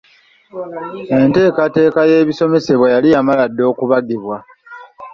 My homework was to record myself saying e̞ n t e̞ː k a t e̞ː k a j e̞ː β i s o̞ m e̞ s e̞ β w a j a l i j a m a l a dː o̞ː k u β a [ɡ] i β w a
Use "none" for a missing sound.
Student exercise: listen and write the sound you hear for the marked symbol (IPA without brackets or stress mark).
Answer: ɡ